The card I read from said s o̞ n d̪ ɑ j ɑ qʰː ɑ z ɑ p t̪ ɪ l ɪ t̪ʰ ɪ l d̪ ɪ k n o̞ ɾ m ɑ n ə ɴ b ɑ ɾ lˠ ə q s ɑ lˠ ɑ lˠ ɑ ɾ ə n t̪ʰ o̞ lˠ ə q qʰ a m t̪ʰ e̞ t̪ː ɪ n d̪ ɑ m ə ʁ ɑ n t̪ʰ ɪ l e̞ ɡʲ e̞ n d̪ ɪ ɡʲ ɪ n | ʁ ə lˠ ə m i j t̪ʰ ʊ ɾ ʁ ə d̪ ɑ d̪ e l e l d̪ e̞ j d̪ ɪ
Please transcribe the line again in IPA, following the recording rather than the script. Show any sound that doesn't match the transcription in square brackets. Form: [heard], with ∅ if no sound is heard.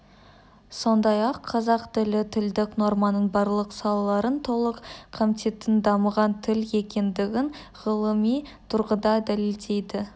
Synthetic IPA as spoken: s o̞ n d̪ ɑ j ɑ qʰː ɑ z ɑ [q] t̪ ɪ l ɪ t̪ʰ ɪ l d̪ ɪ k n o̞ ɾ m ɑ n ə ɴ b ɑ ɾ lˠ ə q s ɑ lˠ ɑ lˠ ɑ ɾ ə n t̪ʰ o̞ lˠ ə q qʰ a m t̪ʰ e̞ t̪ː ɪ n d̪ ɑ m ə ʁ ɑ n t̪ʰ ɪ l e̞ [kʲ] e̞ n d̪ ɪ ɡʲ ɪ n | ʁ ə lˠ ə m i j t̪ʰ ʊ ɾ ʁ ə d̪ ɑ d̪ [æ] l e l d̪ e̞ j d̪ ɪ